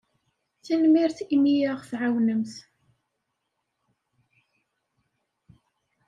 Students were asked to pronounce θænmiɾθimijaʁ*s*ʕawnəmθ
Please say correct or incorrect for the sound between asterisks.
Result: incorrect